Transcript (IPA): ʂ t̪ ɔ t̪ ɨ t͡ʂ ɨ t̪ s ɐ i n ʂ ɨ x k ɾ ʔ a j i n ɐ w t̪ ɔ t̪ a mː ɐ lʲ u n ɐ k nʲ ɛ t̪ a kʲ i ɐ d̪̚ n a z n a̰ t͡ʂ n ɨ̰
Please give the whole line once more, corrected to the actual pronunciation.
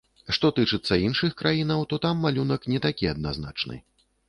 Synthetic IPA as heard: ʂ t̪ ɔ t̪ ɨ t͡ʂ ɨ t̪ sː ɐ i n ʂ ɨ x k ɾ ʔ a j i n ɐ w t̪ ɔ t̪ a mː a lʲ u n ɐ k nʲ ɛ t̪ a kʲ i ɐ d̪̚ n a z n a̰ t͡ʂ n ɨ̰